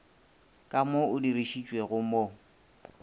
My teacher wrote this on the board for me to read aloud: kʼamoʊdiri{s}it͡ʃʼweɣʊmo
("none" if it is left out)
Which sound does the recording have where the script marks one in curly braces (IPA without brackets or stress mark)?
ʃ